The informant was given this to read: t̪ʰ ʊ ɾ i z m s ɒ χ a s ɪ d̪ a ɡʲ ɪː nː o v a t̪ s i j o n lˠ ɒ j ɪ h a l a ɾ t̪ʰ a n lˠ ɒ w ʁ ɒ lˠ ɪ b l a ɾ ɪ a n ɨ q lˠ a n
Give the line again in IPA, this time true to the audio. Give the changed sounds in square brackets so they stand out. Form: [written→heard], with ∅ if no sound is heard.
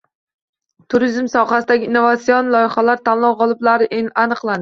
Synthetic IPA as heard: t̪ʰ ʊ ɾ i z m s ɒ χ a s ɪ d̪ a ɡʲ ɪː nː o v a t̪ s i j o n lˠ ɒ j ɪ [h→χ] a l a ɾ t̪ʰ a n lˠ ɒ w ʁ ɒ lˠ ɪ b l a ɾ ɪ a n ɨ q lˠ a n